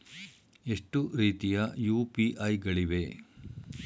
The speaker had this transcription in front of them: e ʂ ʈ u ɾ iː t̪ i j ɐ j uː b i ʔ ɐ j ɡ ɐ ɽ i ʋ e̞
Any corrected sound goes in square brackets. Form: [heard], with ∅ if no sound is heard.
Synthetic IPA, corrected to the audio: e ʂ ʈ u ɾ iː t̪ i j ɐ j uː [p] i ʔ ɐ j ɡ ɐ [ɭ] i ʋ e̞